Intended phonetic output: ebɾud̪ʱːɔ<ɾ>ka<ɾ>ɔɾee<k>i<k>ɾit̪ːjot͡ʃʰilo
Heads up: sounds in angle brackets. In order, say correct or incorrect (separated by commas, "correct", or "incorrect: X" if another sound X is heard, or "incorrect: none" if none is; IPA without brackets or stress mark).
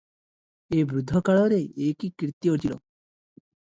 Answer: incorrect: none, incorrect: ɭ, correct, correct